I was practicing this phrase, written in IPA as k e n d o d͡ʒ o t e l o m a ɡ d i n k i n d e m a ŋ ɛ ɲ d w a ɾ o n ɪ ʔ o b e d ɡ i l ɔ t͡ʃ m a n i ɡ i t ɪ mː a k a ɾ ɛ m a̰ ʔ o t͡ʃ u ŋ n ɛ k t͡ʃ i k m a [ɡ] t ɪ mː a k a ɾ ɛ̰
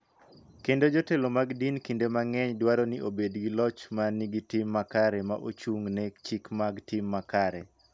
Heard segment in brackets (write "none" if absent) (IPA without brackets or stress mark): ɡ